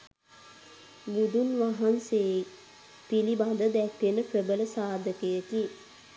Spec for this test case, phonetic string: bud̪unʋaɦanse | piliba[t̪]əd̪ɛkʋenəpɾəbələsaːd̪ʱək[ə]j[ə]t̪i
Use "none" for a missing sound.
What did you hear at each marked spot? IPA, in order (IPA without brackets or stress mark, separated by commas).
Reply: d̪, ə, ə